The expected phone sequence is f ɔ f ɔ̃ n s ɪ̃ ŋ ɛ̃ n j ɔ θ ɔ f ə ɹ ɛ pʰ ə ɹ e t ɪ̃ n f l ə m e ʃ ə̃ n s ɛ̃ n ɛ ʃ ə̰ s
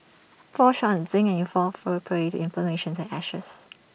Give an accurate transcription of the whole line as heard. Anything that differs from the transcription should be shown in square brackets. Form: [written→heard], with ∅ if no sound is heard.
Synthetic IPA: f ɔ [f→ʃ] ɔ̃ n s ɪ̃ ŋ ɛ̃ n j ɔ [θ→f] ɔ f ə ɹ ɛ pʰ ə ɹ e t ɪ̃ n f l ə m e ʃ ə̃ n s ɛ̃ n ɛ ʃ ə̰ s